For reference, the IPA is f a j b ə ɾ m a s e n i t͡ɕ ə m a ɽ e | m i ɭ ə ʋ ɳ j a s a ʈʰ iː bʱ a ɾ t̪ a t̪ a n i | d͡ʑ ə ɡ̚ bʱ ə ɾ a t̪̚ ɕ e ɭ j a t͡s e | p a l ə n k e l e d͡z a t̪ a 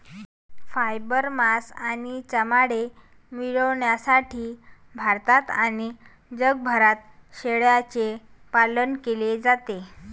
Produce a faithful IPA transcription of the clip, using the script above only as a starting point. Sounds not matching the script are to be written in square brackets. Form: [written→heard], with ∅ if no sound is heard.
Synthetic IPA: f a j b ə ɾ m a s [e→a] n i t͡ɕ ə m a ɽ e | m i ɭ ə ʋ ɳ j a s a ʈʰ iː bʱ a ɾ t̪ a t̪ a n i | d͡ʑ ə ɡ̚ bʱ ə ɾ a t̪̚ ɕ e ɭ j a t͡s e | p a l ə n k e l e d͡z a t̪ [a→e]

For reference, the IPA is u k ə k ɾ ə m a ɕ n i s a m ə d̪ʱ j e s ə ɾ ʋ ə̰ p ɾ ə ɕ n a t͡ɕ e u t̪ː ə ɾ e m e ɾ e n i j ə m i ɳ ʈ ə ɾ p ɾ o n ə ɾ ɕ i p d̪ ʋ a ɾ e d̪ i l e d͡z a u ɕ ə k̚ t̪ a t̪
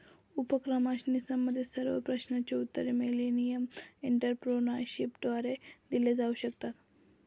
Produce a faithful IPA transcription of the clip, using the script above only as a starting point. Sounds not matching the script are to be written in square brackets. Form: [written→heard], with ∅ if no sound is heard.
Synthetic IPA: u [k→p] ə k ɾ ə m a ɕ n i s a m ə d̪ʱ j e s ə ɾ ʋ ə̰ p ɾ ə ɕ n a t͡ɕ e u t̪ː ə ɾ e m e [ɾ→l] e n i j ə m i ɳ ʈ ə ɾ p ɾ o n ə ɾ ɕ i p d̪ ʋ a ɾ e d̪ i l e d͡z a u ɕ ə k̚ t̪ a t̪

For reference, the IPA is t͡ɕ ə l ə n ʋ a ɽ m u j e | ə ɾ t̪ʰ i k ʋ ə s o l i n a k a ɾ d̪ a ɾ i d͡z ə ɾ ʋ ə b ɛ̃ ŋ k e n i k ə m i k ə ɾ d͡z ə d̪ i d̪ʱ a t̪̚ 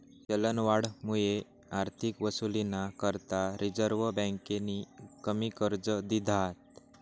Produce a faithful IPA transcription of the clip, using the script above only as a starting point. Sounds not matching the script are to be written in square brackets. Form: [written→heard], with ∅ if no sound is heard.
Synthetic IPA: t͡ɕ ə l ə n ʋ a ɽ m u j e | [ə→a] ɾ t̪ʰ i k ʋ ə s [o→u] l i n a k [a→ə] ɾ [d̪→t̪] a ɾ i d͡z ə ɾ ʋ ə b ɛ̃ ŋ k e n i k ə m i k ə ɾ d͡z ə d̪ i d̪ʱ a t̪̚

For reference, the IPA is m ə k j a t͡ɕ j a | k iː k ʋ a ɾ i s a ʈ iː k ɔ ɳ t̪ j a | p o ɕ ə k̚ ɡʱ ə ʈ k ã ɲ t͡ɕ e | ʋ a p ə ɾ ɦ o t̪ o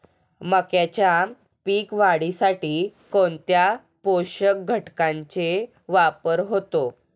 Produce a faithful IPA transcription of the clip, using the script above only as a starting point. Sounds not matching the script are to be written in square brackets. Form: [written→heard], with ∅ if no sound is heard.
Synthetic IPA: m ə k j a t͡ɕ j a | [k→p] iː k ʋ a [ɾ→ɽ] i s a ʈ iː k [ɔ→o] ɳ t̪ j a | p o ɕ ə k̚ ɡʱ ə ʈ k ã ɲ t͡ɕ e | ʋ a p ə ɾ ɦ o t̪ o

